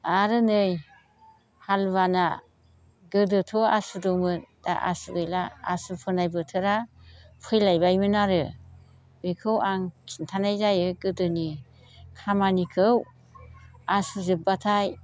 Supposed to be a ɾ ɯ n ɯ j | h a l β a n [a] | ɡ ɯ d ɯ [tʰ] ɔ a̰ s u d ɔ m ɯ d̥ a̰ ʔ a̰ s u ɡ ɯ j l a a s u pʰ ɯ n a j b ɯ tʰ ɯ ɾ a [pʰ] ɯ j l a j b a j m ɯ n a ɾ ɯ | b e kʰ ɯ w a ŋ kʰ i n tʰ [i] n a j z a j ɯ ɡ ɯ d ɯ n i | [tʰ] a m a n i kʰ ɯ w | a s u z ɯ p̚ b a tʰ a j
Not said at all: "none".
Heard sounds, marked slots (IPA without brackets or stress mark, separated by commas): a, tʰ, pʰ, a, kʰ